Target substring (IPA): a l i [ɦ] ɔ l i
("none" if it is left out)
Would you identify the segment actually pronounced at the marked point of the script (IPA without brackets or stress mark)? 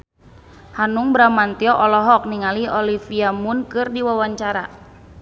none